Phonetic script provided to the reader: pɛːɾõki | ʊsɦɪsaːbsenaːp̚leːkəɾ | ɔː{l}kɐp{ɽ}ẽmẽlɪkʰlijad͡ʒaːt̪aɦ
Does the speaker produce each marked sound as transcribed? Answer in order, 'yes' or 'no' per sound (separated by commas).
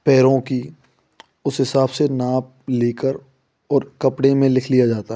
no, yes